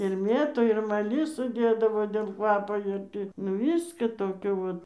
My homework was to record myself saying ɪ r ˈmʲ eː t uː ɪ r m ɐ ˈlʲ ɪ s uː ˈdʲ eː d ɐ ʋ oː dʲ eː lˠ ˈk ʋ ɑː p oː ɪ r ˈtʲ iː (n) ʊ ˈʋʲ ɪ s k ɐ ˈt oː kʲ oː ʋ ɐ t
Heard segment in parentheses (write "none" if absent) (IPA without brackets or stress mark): n